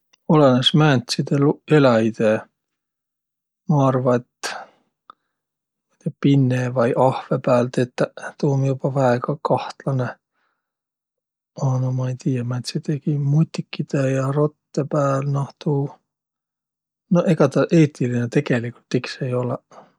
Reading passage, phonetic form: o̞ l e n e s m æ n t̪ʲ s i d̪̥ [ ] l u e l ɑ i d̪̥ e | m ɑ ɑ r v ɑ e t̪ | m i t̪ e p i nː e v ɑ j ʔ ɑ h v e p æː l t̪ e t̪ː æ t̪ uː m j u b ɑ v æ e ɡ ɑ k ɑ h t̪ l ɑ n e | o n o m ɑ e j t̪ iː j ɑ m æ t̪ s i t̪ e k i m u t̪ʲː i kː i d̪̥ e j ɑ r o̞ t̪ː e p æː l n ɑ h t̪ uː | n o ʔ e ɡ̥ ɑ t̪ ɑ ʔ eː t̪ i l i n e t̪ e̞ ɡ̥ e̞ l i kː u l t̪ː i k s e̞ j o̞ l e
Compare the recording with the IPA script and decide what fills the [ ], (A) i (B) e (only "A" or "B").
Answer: B